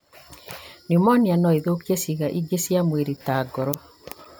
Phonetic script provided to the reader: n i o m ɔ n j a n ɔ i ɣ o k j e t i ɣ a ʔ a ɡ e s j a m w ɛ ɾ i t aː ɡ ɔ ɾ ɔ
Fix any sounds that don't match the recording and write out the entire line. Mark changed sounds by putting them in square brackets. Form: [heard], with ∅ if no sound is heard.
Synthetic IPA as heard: n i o m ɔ n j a n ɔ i [ð] o k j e [s] i ɣ a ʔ [i] ɡ e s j a m w [e] ɾ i t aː ɡ ɔ ɾ ɔ